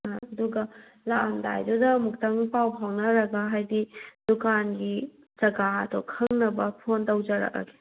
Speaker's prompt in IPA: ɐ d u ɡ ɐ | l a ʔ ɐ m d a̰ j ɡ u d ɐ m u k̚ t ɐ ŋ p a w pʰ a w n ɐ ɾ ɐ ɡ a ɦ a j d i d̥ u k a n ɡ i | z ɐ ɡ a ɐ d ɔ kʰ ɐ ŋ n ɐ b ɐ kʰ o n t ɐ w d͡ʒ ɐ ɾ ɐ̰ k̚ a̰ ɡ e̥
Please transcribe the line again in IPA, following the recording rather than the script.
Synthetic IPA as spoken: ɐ d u ɡ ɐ | l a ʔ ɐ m d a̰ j d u d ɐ m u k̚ t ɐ ŋ p a w pʰ a w n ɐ ɾ ɐ ɡ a ɦ a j d i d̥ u k a n ɡ i | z ɐ ɡ a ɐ d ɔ kʰ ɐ ŋ n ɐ b ɐ pʰ o n t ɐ w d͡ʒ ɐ ɾ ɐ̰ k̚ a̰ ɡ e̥